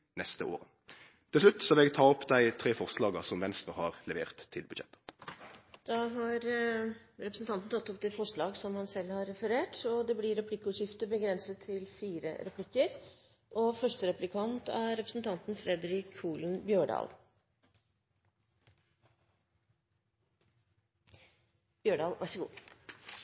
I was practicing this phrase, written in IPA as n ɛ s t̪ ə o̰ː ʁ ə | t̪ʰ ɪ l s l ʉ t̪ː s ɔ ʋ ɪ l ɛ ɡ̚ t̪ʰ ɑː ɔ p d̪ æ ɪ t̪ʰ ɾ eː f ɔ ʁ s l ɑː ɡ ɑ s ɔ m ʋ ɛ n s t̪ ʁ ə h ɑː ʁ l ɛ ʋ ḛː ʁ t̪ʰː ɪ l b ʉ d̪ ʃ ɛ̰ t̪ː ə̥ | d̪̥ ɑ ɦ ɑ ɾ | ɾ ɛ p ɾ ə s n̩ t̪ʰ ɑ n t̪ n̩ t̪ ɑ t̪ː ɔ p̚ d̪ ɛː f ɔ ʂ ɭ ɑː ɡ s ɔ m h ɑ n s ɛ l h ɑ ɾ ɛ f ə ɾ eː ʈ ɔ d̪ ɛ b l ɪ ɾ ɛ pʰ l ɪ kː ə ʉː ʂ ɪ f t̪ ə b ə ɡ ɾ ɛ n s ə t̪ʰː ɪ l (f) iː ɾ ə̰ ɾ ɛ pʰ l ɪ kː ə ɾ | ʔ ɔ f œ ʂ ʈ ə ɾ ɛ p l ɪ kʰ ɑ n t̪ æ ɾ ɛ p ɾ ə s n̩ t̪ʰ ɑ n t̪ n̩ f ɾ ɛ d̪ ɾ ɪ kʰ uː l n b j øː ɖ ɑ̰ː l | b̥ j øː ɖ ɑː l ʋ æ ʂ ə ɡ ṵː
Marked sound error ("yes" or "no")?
no